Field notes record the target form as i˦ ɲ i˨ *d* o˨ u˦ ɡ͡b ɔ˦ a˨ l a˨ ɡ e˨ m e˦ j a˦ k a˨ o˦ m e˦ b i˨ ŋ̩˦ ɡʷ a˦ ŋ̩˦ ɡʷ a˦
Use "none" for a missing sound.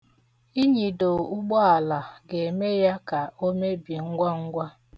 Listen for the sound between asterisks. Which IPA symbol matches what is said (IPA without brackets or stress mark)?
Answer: d